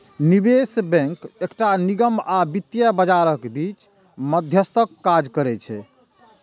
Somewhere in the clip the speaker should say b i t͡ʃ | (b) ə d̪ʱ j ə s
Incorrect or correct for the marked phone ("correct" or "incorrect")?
incorrect